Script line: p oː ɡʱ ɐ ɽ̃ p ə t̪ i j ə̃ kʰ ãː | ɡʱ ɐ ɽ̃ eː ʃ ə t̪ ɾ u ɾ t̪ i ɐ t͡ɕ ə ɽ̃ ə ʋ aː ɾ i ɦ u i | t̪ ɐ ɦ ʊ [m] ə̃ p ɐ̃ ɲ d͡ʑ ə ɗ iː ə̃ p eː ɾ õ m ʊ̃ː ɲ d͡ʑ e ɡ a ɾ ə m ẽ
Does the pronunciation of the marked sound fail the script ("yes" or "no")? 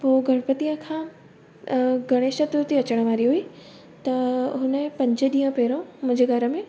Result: yes